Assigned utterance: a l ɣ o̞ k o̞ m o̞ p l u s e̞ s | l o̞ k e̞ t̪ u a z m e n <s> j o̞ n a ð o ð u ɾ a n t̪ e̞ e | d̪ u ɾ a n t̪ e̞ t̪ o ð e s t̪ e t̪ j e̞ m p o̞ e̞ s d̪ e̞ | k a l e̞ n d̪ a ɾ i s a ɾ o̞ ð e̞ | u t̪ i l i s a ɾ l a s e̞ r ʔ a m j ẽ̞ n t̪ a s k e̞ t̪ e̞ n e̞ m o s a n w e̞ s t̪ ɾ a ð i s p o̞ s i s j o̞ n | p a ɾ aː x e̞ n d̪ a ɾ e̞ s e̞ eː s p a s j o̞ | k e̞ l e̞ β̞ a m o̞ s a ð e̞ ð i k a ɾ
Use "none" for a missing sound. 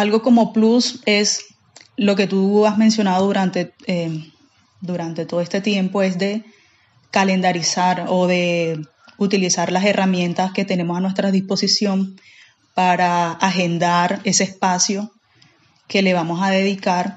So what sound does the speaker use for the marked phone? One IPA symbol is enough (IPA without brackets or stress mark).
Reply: s